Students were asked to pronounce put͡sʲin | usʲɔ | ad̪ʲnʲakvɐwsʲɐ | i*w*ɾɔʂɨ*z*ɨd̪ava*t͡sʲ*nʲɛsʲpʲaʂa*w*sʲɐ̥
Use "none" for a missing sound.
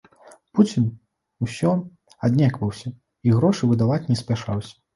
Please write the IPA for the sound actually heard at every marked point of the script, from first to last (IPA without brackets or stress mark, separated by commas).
ɣ, v, t͡sʲ, w